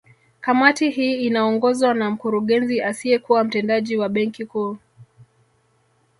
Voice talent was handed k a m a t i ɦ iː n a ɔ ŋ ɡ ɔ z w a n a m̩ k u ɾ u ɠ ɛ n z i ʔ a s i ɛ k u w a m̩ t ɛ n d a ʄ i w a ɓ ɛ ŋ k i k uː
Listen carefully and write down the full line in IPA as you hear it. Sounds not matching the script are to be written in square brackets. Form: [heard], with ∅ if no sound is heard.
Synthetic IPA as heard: k a m a t i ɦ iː n a ɔ ŋ ɡ ɔ z w a n a m̩ k u ɾ u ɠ ɛ n z i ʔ a s i ɛ k u w a m̩ t ɛ n d a ʄ i w a ɓ ɛ ŋ k i k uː